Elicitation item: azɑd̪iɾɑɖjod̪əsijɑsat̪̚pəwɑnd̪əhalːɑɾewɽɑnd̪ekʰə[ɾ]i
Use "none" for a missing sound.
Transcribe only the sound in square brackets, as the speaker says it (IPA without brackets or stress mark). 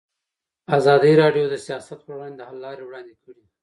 ɽ